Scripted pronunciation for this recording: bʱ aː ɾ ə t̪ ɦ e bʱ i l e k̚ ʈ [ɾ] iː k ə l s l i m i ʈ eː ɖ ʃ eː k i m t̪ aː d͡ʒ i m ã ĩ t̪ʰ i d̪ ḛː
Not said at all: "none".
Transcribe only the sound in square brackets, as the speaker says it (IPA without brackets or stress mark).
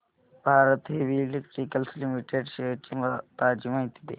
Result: ɾ